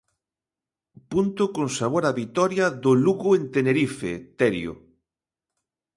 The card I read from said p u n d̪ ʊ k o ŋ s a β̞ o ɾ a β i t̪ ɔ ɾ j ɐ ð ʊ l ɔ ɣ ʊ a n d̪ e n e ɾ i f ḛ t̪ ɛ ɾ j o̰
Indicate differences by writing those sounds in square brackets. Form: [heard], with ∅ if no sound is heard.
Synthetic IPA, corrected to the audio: p u n [t̪] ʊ k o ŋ s a β̞ o ɾ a β i t̪ ɔ ɾ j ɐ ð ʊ l [u] ɣ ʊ [e] n [t̪] e n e ɾ i f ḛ t̪ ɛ ɾ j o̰